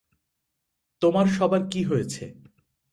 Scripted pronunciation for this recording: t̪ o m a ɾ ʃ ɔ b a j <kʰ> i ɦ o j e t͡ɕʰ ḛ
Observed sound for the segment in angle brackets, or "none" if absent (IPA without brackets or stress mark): k